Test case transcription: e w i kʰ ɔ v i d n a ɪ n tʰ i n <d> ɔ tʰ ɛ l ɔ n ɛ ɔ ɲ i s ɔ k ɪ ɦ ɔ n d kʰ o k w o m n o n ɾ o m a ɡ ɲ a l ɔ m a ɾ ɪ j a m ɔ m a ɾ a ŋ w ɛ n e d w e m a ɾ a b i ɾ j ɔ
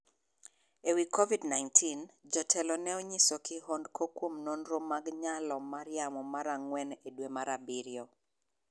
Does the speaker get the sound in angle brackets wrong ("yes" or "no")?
yes